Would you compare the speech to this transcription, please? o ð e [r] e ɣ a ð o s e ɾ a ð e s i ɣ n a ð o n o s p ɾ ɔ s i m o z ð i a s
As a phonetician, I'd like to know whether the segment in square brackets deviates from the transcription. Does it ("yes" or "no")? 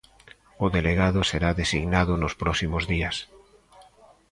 yes